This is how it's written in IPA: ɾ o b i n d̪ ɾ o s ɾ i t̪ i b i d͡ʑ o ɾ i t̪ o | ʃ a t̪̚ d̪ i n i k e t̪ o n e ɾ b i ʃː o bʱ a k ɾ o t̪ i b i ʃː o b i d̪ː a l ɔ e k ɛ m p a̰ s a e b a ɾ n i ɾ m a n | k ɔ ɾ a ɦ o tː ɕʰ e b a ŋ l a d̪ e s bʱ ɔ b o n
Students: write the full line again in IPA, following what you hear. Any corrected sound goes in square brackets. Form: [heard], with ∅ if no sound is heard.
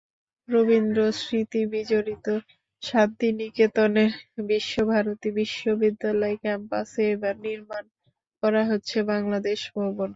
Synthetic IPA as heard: ɾ o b i n d̪ ɾ o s ɾ i t̪ i b i d͡ʑ o ɾ i t̪ o | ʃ a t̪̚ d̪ i n i k e t̪ o n e ɾ b i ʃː o bʱ a [∅] ɾ o t̪ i b i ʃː o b i d̪ː a l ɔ e k ɛ m p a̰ s [e] e b a ɾ n i ɾ m a n | k ɔ ɾ a ɦ o tː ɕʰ e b a ŋ l a d̪ e [ʃ] bʱ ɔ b o n